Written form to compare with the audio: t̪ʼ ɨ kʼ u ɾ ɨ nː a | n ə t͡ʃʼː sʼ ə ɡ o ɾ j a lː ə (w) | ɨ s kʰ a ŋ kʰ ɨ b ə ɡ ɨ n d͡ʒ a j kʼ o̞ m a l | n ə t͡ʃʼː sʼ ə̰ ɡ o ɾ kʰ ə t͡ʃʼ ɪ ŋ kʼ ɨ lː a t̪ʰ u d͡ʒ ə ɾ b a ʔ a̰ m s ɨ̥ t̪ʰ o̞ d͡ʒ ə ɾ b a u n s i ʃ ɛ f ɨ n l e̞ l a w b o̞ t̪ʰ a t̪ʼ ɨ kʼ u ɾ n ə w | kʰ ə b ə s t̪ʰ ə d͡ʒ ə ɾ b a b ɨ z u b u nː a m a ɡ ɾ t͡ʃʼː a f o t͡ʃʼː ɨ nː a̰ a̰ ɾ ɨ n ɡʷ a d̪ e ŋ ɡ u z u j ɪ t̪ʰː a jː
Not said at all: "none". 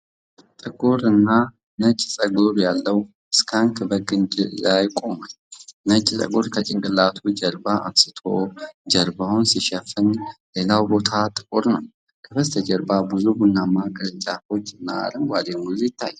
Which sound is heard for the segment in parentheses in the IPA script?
w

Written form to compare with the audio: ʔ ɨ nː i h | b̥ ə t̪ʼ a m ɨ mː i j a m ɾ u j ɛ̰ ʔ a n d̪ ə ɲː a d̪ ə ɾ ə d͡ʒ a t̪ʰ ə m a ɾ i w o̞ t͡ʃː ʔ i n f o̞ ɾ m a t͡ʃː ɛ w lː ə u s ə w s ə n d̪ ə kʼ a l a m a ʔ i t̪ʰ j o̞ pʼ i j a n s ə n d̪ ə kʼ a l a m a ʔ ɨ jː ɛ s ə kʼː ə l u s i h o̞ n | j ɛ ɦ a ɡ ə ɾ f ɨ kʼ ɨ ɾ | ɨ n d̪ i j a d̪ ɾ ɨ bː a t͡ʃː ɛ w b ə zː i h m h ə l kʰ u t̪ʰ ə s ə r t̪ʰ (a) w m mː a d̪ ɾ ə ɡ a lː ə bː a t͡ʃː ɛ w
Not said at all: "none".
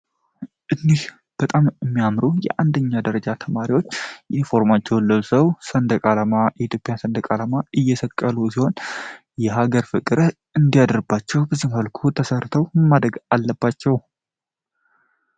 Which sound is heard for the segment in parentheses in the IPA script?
ə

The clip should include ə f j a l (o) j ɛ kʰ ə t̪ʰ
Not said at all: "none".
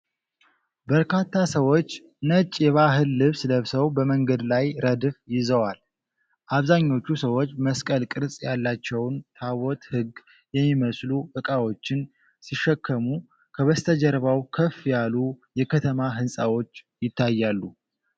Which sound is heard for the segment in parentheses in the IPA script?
u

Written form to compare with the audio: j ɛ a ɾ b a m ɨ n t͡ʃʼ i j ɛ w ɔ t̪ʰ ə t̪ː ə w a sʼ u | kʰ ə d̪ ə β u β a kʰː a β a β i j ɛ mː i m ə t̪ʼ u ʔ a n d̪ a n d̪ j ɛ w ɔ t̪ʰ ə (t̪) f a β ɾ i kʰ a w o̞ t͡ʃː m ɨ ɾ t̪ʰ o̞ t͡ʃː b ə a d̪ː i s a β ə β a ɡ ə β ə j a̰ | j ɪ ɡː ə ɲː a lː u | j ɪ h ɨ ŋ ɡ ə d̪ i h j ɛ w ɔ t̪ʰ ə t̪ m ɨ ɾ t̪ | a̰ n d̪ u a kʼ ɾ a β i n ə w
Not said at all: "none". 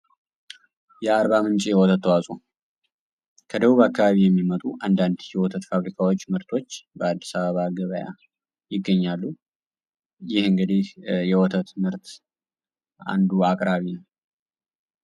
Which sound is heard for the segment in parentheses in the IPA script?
t̪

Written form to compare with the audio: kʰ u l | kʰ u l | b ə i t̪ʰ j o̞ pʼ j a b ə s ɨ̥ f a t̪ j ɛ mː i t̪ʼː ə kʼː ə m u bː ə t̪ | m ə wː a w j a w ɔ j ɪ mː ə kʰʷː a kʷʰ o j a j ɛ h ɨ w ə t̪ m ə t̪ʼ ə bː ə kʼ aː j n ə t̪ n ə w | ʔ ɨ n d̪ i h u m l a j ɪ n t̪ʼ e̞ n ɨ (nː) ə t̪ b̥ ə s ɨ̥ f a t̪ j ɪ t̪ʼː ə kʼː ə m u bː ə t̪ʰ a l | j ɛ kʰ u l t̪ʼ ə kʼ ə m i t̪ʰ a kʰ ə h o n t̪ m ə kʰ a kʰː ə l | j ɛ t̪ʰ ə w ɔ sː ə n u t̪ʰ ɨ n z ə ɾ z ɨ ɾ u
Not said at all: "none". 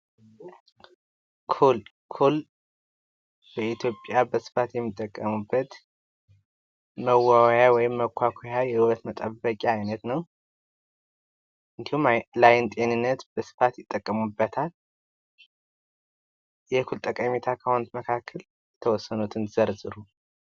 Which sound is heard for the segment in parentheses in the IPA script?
nː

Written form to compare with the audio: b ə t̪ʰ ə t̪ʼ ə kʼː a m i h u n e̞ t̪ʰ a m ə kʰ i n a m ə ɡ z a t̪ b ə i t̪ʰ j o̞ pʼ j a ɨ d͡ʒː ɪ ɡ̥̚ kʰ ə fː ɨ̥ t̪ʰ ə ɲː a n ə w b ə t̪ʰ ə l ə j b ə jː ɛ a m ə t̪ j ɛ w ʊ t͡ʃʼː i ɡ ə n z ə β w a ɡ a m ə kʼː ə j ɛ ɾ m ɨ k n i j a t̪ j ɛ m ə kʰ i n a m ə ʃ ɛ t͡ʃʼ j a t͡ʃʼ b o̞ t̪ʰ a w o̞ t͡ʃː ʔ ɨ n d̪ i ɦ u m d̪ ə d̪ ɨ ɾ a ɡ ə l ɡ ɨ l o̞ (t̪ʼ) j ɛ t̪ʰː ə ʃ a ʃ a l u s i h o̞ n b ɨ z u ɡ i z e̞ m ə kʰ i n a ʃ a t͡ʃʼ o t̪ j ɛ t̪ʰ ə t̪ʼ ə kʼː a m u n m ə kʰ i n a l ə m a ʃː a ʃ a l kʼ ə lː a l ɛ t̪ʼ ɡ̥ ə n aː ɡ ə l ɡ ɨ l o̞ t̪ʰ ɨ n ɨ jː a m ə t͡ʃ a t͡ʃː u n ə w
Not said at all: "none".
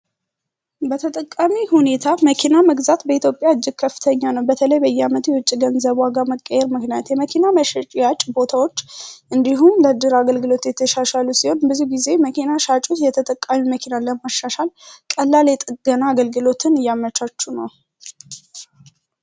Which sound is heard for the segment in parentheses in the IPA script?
t̪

